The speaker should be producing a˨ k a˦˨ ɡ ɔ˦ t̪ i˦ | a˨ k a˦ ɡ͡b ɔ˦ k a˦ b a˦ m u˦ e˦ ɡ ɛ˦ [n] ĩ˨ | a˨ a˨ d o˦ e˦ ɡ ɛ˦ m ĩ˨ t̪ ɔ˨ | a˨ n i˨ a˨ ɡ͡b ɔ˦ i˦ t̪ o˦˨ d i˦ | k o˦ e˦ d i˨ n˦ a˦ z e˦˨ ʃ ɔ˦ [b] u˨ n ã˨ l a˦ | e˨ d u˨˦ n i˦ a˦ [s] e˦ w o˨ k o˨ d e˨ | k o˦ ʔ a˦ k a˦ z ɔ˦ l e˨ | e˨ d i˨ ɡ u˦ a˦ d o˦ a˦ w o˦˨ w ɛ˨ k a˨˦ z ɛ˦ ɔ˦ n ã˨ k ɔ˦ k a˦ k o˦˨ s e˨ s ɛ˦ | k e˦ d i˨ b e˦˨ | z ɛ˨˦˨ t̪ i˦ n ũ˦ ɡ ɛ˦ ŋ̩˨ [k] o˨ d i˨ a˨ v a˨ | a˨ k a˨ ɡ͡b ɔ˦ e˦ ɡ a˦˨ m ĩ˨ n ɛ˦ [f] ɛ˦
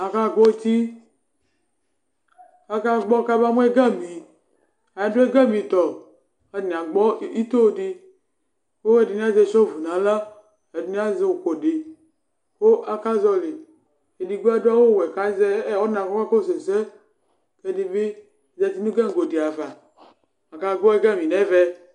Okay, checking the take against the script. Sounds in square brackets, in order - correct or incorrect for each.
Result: incorrect: m, incorrect: v, incorrect: z, incorrect: ɡ, incorrect: v

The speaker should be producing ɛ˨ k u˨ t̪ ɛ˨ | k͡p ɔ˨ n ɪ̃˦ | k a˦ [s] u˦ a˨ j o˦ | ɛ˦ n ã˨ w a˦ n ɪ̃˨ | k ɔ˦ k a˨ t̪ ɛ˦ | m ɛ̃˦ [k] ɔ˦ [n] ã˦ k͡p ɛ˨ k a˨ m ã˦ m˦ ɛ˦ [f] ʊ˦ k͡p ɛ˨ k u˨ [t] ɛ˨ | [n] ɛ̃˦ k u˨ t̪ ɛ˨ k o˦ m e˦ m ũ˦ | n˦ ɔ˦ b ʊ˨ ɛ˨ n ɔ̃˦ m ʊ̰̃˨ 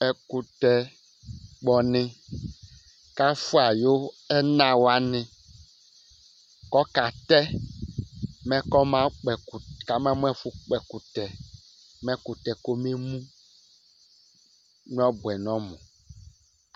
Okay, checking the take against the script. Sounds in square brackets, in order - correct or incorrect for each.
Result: incorrect: f, correct, incorrect: m, correct, correct, incorrect: m

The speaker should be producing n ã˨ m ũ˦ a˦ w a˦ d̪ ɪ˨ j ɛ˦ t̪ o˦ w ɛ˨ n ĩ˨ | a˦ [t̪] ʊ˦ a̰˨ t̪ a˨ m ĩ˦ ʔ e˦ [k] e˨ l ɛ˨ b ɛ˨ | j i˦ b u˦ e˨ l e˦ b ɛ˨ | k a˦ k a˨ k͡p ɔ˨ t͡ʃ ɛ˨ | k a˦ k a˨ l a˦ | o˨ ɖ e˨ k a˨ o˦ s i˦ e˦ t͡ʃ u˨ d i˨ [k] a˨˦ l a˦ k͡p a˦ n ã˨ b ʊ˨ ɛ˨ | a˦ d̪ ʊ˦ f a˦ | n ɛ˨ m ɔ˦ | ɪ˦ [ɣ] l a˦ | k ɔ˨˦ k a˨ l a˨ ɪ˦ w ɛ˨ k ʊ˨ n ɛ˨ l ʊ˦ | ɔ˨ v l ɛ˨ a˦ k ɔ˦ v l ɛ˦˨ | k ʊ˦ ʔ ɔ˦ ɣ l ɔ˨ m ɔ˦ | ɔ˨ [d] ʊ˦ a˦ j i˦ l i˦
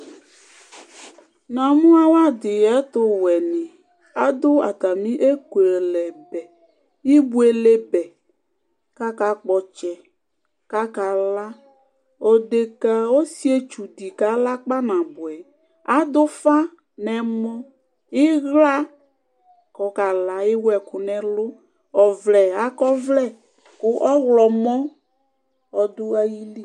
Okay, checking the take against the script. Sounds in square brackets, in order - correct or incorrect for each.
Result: incorrect: d̪, correct, correct, correct, correct

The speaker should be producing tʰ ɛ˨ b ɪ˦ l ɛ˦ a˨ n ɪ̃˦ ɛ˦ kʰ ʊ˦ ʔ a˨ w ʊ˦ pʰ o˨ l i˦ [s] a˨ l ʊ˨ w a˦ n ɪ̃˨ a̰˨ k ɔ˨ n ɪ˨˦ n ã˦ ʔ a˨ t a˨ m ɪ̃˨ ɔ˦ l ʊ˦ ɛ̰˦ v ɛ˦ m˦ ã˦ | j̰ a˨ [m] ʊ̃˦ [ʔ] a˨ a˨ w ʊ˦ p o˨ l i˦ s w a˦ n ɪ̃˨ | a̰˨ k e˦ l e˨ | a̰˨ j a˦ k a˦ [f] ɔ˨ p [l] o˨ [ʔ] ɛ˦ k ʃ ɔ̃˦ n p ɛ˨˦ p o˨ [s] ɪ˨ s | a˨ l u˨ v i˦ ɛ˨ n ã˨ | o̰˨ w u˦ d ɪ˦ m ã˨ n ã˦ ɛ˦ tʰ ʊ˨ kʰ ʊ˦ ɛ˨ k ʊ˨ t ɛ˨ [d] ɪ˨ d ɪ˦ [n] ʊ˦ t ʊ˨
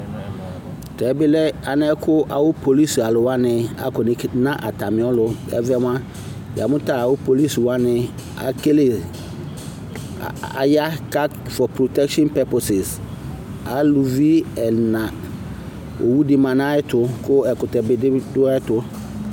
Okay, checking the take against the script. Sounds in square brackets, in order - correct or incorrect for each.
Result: correct, correct, incorrect: t, correct, incorrect: ɾ, incorrect: t, correct, incorrect: b, incorrect: d

